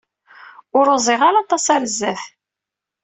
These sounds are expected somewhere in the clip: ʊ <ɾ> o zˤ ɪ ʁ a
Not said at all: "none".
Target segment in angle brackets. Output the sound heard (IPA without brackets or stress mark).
ɾ